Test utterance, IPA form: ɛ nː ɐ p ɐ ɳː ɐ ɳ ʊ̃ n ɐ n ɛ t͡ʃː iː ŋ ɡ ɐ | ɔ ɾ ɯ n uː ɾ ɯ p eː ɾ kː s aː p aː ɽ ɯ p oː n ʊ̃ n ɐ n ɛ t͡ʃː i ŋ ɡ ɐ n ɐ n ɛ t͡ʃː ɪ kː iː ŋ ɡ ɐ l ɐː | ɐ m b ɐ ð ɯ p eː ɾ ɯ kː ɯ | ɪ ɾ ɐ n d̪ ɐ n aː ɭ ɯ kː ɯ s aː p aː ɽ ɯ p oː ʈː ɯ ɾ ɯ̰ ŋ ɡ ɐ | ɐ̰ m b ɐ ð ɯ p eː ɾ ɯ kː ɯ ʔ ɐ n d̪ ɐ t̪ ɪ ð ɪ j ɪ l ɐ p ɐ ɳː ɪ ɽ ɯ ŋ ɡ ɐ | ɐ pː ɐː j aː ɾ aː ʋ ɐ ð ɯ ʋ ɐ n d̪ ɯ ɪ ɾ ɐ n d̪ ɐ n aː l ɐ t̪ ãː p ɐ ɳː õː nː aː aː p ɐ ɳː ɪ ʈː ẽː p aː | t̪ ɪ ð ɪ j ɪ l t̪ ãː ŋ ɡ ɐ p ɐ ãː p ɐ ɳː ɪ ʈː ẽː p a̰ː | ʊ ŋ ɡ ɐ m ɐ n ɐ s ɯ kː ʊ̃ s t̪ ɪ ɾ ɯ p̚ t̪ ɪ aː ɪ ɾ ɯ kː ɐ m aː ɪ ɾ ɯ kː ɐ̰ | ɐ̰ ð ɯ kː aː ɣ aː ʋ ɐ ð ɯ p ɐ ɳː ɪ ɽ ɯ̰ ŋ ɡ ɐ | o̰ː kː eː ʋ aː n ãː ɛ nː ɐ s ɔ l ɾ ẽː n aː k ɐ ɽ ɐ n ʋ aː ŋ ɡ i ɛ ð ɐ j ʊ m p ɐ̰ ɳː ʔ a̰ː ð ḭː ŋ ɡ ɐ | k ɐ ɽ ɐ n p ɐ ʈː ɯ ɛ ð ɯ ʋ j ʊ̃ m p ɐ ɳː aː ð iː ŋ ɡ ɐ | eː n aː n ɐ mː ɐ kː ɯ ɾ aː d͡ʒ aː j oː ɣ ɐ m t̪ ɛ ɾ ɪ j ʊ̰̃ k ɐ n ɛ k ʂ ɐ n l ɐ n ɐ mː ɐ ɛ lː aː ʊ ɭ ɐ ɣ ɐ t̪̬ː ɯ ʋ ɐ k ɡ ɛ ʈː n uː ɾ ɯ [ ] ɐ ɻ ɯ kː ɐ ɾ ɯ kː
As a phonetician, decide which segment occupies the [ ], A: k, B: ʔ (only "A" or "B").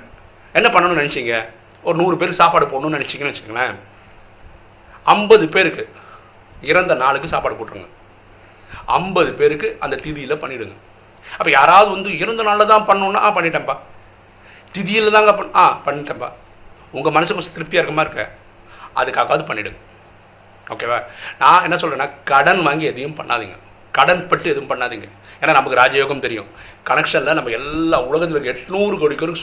A